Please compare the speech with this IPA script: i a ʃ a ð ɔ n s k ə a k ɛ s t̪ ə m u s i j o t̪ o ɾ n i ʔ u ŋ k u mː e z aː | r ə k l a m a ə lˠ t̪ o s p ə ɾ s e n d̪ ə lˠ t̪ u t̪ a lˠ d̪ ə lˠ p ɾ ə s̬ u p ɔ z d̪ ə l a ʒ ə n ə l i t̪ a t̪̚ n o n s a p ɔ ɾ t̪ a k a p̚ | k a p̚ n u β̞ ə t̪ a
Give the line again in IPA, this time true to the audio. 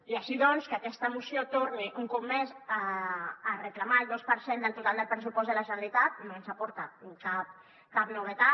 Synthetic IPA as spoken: i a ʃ i ð ɔ n s k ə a k ɛ s t̪ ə m u s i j o t̪ o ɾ n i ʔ u ŋ k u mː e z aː | r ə k l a m a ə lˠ d̪ o s p ə ɾ s e n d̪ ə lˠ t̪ u t̪ a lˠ d̪ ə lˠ p ɾ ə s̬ u p ɔ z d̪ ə l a ʒ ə n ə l i t̪ a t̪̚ n o n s a p ɔ ɾ t̪ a k a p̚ | k a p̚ n u β̞ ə t̪ a